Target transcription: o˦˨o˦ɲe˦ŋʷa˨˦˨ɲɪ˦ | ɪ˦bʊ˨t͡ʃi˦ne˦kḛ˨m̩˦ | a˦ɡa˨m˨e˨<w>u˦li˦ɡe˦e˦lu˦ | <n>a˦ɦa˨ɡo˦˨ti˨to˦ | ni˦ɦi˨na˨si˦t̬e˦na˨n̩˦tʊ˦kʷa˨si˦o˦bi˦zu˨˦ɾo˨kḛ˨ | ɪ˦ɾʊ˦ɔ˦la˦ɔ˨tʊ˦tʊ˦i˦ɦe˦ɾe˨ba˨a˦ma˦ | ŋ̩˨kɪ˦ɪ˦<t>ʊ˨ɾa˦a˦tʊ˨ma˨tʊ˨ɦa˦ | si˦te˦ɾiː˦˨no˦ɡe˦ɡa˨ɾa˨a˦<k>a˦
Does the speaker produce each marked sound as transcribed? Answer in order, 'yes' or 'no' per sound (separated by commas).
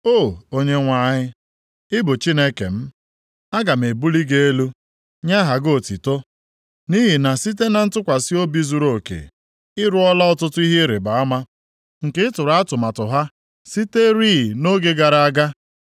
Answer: no, no, yes, no